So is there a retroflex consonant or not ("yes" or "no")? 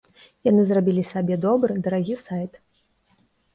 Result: no